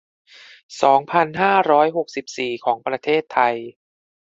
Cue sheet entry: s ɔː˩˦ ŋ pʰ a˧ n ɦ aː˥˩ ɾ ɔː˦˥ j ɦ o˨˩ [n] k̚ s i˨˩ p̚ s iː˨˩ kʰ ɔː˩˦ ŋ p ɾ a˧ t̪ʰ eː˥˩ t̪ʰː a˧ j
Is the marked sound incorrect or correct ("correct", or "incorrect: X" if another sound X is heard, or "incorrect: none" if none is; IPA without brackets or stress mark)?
incorrect: none